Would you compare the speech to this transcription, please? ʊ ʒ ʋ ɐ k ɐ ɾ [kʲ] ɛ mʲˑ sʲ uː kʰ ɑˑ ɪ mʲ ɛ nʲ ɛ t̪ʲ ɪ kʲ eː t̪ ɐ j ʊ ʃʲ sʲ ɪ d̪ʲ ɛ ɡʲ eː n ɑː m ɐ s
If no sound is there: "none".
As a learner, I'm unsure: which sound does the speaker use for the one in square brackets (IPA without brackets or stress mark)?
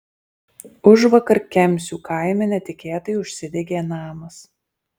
kʲ